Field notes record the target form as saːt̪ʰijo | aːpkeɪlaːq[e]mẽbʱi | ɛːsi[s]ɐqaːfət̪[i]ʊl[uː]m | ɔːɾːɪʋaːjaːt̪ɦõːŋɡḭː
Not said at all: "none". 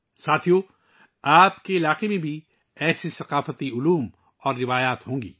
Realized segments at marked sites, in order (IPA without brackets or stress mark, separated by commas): e, s, i, uː